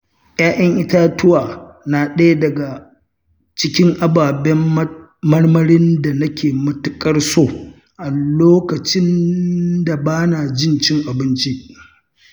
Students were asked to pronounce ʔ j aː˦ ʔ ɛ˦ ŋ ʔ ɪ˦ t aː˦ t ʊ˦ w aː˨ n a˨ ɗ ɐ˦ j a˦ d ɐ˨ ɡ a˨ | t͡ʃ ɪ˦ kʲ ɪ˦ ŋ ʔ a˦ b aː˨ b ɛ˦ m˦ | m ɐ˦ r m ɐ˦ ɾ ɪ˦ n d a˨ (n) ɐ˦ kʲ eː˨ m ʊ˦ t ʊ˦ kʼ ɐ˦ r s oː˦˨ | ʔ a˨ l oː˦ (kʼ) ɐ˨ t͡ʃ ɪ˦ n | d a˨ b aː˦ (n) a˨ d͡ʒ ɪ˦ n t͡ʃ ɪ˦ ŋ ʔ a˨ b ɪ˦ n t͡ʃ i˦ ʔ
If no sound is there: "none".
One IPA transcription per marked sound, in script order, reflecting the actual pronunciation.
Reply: n, k, n

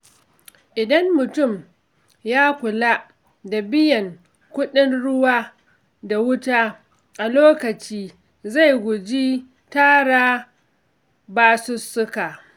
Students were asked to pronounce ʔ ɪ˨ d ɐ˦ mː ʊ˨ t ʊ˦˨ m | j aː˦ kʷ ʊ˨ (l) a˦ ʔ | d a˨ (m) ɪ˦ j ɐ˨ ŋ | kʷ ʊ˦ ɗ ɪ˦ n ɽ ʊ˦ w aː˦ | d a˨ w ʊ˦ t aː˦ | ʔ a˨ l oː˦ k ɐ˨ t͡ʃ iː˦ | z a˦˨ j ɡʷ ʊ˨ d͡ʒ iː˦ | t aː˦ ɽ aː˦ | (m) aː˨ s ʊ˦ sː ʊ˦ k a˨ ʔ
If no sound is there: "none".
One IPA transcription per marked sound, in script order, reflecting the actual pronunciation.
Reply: l, b, b

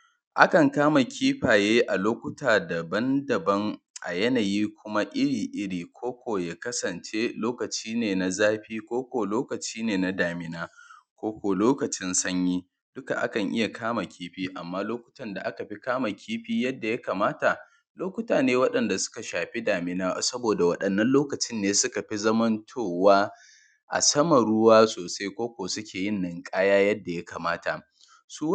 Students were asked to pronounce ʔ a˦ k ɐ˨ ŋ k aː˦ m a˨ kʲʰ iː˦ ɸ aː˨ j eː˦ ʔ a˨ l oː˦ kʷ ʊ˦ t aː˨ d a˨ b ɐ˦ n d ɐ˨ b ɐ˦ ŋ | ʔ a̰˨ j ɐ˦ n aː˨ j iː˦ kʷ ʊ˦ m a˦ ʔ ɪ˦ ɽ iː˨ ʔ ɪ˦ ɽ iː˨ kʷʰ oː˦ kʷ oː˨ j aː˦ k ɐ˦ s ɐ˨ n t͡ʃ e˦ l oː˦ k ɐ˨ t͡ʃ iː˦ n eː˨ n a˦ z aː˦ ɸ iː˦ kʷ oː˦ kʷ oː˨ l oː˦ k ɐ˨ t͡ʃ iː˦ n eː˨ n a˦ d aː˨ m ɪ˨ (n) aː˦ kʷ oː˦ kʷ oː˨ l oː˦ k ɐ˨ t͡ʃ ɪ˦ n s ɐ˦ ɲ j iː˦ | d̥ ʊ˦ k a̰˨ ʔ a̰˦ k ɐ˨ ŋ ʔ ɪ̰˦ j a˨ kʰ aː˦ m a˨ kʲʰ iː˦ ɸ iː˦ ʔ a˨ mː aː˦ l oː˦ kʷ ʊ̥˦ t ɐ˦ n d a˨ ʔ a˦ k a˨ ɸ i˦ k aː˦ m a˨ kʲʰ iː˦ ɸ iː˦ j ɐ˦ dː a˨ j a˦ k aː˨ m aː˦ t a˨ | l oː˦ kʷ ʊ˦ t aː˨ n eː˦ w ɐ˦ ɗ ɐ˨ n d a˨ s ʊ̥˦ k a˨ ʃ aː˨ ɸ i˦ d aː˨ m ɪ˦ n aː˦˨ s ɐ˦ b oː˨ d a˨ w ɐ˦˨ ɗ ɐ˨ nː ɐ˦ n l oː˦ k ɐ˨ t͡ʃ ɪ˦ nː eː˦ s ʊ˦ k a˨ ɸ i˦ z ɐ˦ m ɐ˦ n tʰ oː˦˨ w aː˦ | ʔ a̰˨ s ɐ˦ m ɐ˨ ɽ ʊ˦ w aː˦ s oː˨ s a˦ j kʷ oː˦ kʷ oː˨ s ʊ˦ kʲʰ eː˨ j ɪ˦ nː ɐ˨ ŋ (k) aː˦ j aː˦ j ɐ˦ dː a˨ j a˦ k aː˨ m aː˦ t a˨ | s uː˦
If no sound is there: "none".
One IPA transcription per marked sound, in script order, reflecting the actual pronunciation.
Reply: n, kʼ

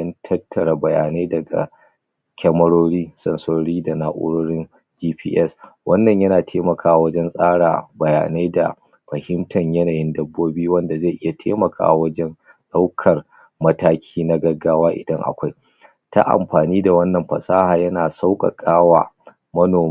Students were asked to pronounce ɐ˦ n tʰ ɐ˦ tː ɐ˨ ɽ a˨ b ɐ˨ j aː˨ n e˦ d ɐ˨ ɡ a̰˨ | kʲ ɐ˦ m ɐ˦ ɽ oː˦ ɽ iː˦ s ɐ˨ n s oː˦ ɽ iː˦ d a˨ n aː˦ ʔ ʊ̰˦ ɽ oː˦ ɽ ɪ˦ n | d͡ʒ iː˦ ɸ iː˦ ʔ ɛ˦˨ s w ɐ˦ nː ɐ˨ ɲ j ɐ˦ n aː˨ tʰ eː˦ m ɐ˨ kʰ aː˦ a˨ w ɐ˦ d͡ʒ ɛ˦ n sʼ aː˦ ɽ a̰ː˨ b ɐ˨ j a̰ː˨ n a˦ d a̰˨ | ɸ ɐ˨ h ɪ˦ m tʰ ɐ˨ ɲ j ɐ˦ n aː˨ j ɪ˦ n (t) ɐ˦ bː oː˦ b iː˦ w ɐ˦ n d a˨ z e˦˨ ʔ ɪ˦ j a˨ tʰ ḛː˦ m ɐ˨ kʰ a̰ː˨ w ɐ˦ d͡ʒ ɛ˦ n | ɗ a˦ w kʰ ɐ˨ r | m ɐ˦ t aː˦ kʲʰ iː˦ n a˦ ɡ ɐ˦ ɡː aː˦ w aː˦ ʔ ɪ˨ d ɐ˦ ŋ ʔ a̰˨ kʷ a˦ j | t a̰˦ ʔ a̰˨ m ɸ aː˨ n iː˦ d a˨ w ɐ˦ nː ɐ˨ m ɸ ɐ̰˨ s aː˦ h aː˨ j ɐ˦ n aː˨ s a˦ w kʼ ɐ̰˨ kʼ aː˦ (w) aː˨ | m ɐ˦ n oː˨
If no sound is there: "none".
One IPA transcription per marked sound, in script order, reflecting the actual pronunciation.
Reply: d, w

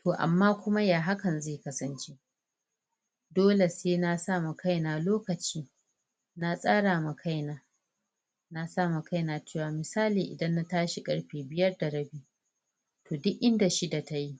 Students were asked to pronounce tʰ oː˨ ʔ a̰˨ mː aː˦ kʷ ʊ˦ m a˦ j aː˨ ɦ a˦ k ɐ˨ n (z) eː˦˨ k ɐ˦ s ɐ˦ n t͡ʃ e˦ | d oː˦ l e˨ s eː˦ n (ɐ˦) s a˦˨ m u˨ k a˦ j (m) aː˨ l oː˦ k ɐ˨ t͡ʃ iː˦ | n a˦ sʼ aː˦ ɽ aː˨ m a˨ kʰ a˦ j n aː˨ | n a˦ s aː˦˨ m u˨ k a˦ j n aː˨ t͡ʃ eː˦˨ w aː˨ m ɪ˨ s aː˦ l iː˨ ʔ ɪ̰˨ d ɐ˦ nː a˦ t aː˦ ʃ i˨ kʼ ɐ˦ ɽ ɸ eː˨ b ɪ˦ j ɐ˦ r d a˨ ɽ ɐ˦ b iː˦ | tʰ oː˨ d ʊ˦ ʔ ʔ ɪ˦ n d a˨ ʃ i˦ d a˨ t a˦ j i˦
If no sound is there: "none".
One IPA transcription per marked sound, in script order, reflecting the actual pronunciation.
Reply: z, a˦, n

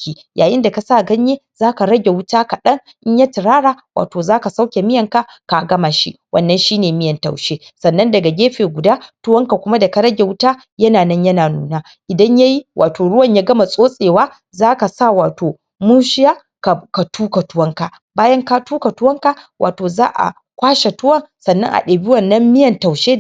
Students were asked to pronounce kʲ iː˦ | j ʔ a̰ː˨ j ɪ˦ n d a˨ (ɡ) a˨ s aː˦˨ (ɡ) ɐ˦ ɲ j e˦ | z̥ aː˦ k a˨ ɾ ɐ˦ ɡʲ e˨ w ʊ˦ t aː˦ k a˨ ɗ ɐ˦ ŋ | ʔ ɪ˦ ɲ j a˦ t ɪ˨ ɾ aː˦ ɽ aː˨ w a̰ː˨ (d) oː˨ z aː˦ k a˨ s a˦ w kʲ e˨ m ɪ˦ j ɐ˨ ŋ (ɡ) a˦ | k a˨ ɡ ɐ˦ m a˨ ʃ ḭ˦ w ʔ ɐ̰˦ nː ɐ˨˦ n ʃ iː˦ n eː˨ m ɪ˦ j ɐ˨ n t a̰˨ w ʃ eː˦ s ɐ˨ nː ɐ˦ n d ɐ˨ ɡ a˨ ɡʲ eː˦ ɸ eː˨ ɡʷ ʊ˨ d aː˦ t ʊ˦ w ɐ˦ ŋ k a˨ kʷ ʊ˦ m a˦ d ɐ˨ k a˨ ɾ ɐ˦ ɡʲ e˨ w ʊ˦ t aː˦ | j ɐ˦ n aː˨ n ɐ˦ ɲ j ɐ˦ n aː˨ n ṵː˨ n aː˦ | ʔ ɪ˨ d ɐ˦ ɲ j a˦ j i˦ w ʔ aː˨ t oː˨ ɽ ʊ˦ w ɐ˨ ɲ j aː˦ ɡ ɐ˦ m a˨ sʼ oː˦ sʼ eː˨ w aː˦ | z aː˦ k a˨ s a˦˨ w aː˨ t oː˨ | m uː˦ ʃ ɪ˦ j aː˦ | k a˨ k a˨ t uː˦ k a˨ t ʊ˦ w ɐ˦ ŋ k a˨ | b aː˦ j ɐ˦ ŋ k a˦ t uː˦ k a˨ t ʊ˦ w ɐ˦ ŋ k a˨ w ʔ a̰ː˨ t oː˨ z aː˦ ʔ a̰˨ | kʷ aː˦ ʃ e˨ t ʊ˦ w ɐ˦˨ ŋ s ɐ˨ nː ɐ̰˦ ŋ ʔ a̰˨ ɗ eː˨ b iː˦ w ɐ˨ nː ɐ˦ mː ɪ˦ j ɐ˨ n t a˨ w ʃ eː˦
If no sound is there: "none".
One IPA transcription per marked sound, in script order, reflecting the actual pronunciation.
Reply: k, ɡ, t, k

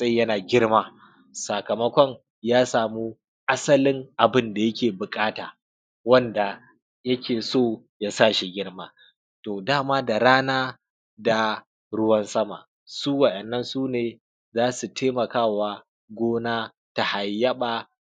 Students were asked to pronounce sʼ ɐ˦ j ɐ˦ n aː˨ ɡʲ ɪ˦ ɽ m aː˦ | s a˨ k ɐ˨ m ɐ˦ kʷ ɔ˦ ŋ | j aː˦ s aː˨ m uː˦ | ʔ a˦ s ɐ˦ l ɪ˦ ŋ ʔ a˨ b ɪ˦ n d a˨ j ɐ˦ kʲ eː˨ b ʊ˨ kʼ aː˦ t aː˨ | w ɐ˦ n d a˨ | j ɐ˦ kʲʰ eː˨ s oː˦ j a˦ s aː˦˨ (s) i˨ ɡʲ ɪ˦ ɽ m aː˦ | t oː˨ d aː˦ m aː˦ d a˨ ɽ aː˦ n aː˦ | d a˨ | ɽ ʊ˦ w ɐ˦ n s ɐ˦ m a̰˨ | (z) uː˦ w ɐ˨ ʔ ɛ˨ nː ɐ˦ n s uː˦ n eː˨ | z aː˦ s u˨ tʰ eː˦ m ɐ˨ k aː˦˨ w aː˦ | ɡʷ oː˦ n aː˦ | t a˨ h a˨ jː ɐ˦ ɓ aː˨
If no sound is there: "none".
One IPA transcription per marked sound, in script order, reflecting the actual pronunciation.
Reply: ʃ, s

